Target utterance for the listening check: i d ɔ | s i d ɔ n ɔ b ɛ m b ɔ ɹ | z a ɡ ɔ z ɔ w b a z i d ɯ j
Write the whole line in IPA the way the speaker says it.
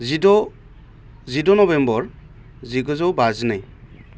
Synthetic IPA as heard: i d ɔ | z i d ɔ n ɔ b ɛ m b ɔ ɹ | z i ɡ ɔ z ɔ w b a z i n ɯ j